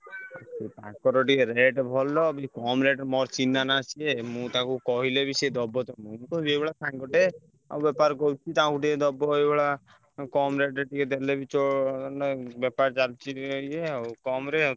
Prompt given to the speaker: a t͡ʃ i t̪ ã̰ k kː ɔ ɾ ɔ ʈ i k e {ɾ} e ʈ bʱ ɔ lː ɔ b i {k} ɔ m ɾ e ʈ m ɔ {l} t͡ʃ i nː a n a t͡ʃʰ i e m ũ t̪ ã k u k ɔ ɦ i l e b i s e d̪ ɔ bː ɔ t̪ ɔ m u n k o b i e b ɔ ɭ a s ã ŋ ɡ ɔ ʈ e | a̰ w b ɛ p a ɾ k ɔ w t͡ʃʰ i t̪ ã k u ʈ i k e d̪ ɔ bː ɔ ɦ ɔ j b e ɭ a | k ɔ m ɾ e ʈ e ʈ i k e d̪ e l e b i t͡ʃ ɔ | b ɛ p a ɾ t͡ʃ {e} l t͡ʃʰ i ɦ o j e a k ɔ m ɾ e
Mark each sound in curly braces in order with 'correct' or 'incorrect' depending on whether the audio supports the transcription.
correct, correct, incorrect, incorrect

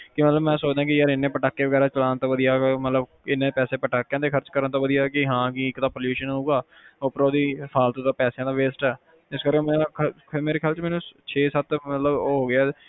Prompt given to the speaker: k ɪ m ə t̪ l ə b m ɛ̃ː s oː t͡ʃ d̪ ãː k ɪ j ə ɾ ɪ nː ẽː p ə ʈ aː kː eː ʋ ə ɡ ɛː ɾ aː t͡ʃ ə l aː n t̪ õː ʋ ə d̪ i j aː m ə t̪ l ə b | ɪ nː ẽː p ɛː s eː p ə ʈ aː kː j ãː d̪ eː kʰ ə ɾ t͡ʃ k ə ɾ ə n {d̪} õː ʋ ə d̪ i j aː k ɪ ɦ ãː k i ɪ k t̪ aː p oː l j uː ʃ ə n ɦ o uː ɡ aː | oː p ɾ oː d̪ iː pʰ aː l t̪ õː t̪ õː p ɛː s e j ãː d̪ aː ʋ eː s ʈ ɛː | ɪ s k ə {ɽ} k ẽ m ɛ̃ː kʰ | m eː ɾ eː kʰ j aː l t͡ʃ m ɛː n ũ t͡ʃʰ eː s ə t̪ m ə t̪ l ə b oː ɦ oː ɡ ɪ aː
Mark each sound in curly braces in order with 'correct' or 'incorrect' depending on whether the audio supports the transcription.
incorrect, incorrect

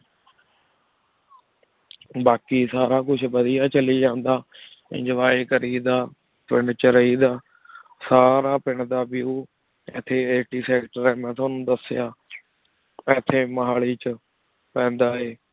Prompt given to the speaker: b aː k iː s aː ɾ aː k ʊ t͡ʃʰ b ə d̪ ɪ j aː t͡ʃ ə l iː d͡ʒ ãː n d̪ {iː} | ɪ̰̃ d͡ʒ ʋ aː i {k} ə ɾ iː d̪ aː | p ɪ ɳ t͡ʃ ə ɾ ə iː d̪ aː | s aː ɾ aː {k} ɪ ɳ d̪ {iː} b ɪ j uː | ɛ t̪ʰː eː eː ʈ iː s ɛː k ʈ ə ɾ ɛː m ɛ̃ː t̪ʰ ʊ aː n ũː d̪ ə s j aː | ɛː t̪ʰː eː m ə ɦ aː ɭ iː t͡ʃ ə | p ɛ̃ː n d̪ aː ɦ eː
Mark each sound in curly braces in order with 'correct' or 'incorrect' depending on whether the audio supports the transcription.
incorrect, correct, incorrect, incorrect

